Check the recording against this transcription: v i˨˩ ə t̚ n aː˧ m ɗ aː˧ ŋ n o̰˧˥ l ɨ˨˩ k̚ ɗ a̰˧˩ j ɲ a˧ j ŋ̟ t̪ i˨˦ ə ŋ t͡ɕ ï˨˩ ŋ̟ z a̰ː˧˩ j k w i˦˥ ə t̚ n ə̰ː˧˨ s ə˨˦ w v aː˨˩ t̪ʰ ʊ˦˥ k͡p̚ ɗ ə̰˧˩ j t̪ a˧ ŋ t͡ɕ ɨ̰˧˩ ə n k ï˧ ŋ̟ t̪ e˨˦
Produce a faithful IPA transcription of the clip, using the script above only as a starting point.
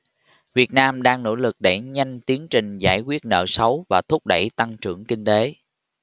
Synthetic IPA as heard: v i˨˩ ə t̚ n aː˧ m ɗ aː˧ ŋ n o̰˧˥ l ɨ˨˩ k̚ ɗ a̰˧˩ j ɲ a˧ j ŋ̟ t̪ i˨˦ ə ŋ t͡ɕ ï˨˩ ŋ̟ z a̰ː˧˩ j k w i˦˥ ə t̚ n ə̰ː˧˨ s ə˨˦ w v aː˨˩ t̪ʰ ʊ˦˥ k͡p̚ ɗ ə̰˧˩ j t̪ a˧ ŋ t͡ɕ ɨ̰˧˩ ə ŋ k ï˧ ŋ̟ t̪ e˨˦